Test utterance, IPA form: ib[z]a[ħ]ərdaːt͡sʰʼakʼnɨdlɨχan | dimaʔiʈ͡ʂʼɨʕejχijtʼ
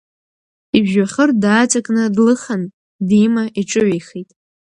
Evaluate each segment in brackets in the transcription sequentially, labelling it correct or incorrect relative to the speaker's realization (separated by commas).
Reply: incorrect, incorrect